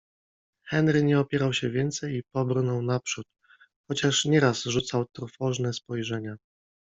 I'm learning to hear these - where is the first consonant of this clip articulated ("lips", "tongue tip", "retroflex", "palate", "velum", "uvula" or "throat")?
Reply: velum